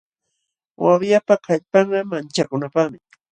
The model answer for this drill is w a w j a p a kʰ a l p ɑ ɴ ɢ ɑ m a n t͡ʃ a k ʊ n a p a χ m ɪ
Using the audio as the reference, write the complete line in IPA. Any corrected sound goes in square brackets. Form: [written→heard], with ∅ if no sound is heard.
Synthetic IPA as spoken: w a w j a p a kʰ a [l→ʎ] p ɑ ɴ ɢ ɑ m a n t͡ʃ a k ʊ n a p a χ m ɪ